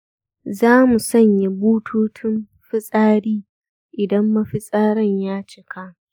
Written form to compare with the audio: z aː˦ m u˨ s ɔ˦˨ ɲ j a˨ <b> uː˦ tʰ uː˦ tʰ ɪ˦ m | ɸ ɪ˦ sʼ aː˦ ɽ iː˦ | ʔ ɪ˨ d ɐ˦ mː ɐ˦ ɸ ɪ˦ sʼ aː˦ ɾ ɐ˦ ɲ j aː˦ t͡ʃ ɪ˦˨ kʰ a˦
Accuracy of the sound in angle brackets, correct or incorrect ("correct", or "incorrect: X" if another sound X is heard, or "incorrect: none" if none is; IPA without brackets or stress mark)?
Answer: correct